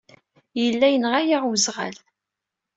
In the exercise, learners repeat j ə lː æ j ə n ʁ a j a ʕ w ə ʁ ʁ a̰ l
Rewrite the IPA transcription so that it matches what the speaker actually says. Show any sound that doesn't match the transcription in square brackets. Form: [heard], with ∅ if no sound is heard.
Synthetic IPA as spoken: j ə lː æ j ə n ʁ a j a [ʁ] w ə [z] ʁ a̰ l